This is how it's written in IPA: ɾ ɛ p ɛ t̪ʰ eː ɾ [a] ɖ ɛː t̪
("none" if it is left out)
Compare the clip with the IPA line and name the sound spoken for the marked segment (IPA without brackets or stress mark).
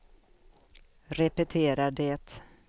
a